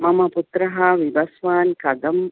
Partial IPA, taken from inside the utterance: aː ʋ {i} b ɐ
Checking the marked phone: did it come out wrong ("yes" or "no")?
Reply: no